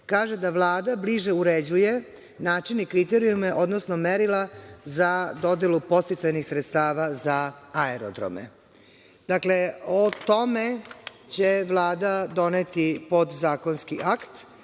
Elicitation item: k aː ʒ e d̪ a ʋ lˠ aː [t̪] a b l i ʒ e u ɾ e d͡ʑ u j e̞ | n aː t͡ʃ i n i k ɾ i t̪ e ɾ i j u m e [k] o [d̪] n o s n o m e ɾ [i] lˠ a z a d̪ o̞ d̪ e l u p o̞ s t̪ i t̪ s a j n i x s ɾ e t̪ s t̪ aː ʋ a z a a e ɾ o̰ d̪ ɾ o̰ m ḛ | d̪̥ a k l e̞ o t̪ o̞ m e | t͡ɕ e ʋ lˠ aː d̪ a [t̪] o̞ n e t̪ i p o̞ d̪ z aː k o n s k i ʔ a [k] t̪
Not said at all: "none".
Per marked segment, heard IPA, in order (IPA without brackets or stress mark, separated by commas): d̪, ʔ, d̪, i, d̪, k